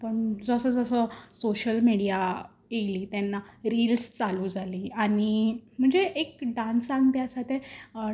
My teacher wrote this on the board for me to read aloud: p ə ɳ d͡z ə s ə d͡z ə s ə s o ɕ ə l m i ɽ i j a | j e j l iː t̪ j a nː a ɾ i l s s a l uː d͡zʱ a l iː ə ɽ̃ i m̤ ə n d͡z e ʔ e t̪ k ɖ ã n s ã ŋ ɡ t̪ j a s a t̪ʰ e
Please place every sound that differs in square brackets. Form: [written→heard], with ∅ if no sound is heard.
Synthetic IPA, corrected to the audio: p ə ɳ d͡z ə s ə d͡z ə s ə s o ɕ ə l m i ɽ i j a | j e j l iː t̪ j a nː a ɾ i l s [s→t͡s] a l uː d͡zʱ a l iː [ə→a] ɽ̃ i m̤ ə [n→ɳ] d͡z e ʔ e [t̪→∅] k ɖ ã n s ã ŋ ɡ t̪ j a s a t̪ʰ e

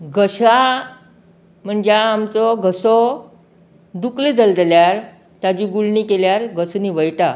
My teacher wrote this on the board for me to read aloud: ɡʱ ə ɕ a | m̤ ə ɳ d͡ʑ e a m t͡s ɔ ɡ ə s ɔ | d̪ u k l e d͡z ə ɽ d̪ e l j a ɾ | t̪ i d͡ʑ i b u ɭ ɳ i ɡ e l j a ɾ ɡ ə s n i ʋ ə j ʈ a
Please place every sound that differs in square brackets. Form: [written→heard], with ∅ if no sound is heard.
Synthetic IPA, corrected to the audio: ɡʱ ə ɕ a | m̤ ə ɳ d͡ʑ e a m t͡s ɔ ɡ ə s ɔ | d̪ u k l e d͡z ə [ɽ→l] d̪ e l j a ɾ | t̪ [i→a] d͡ʑ i [b→ɡ] u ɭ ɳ i [ɡ→k] e l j a ɾ ɡ ə s n i ʋ ə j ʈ a

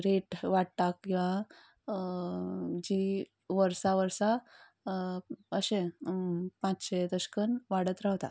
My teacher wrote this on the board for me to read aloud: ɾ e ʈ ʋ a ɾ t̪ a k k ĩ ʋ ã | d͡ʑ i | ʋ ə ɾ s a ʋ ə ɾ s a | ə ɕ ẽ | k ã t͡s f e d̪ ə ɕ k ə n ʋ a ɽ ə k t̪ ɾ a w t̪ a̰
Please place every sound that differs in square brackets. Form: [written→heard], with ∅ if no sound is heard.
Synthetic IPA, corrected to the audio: ɾ e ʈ ʋ a [ɾ→ɽ] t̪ a k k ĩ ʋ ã | d͡ʑ i | ʋ ə ɾ s a ʋ ə ɾ s a | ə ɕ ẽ | [k→p] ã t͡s [f→ɕ] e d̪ ə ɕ k ə n ʋ a ɽ ə [k→∅] t̪ ɾ a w t̪ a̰

